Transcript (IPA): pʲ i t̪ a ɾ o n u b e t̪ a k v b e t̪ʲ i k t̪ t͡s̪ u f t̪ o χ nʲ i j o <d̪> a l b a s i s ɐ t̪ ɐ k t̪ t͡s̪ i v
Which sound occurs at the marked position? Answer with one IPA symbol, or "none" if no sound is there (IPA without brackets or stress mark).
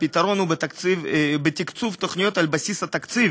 t̪